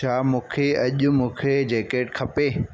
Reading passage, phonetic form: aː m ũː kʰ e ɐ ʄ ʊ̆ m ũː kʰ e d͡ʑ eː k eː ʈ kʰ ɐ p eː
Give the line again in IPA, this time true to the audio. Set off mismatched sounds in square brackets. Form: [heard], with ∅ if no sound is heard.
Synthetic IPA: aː m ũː kʰ e ɐ ʄ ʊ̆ m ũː kʰ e d͡ʑ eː k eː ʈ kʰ ɐ p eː